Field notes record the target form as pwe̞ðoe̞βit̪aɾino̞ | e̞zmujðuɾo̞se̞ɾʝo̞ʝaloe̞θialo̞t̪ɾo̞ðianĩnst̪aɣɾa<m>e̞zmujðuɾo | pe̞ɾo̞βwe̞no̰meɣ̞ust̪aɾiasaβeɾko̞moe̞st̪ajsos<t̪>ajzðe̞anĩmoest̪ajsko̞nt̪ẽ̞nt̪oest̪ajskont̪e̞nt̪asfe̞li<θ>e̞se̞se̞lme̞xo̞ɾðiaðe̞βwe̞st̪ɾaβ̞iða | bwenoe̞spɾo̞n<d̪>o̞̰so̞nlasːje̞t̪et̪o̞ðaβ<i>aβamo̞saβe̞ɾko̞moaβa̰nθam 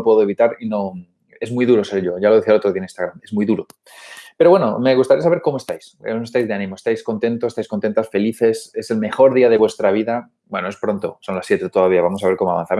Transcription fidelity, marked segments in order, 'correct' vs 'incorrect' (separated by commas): correct, correct, correct, incorrect, correct